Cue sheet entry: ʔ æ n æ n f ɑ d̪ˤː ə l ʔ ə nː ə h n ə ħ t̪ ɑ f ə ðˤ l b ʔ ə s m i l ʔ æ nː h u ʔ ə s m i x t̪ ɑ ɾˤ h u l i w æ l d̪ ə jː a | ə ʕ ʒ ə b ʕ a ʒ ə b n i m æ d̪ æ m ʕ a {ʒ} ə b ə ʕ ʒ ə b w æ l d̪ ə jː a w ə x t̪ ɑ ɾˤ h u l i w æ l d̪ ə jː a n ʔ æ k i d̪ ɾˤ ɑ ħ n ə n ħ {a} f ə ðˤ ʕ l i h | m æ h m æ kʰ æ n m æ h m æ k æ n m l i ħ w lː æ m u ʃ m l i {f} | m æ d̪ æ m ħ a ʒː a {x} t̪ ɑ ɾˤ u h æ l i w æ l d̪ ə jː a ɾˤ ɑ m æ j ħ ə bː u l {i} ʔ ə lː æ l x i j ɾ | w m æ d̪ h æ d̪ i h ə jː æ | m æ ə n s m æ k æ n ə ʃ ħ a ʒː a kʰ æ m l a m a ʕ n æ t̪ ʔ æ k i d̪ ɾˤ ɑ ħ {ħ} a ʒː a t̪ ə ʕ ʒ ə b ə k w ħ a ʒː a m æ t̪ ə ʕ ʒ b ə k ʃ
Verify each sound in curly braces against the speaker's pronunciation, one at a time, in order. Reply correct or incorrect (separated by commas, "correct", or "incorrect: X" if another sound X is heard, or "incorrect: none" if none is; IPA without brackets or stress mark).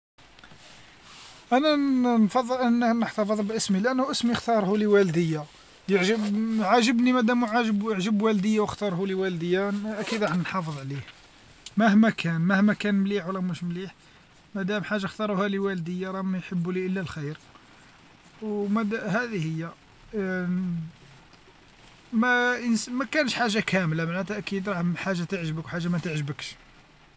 correct, incorrect: ɑ, incorrect: ħ, correct, correct, correct